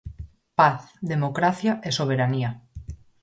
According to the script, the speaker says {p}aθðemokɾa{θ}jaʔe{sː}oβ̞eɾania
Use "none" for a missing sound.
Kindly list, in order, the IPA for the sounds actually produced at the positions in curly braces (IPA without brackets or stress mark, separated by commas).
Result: p, θ, s